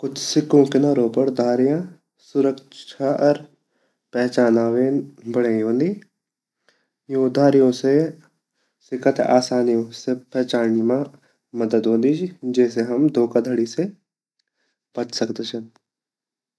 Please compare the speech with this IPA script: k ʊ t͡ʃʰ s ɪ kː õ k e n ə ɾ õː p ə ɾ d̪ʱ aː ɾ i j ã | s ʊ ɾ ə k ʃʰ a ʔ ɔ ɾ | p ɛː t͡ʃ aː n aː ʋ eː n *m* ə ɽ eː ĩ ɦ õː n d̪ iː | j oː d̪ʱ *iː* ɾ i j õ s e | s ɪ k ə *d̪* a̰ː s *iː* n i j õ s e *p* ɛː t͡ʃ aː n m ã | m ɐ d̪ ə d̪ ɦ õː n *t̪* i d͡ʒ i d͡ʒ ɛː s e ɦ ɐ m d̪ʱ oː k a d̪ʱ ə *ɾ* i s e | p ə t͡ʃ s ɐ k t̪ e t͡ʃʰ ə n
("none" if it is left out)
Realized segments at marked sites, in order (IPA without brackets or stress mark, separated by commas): b, aː, t̪, aː, p, d̪, ɽ